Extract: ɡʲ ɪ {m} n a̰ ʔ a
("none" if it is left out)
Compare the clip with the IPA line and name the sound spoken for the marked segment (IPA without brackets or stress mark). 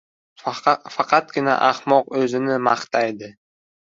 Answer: none